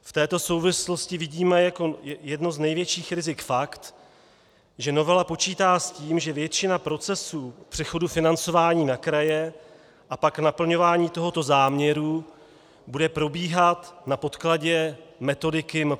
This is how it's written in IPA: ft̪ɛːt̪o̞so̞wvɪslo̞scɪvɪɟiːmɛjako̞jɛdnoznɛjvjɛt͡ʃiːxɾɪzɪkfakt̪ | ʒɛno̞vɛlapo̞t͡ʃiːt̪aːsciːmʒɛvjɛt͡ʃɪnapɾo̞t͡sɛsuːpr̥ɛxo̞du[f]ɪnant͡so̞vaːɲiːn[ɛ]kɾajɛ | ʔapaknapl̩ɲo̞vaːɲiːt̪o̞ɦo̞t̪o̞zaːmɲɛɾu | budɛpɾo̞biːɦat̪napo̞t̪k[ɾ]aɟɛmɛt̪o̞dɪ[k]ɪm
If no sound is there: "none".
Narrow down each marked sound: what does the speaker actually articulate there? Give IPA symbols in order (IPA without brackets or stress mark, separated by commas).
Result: f, a, l, k